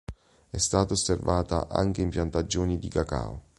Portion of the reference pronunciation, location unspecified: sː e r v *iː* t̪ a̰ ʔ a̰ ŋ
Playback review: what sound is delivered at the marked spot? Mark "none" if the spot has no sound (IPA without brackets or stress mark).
aː